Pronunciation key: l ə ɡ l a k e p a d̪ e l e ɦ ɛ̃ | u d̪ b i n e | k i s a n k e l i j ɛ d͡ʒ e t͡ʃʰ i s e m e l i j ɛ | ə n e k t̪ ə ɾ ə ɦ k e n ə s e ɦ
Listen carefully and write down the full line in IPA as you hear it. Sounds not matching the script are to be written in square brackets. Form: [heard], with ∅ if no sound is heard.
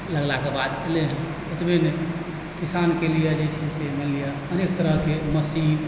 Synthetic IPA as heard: l ə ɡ l a k e [b] a d̪ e l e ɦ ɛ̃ | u [t̪] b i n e | k i s a n k e l i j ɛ d͡ʒ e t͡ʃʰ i s e m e l i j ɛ | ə n e k t̪ ə ɾ ə ɦ k e [m] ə s [i] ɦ